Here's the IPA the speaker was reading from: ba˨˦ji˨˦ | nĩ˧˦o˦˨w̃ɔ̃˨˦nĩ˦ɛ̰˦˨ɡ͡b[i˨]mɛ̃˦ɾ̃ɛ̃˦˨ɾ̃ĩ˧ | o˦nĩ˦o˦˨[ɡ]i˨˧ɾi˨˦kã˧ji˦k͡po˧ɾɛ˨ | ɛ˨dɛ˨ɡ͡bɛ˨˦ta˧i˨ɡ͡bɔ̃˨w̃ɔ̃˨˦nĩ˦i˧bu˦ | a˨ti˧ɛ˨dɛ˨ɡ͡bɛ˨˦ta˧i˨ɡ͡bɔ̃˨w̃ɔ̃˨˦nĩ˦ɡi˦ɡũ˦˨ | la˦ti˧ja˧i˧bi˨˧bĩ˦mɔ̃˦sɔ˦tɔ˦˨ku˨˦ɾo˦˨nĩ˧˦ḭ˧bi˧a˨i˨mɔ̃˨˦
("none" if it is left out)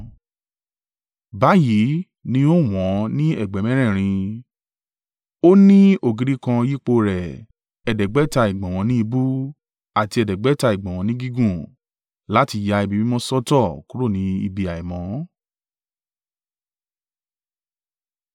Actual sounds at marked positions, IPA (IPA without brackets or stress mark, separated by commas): ɛ˨, ɡ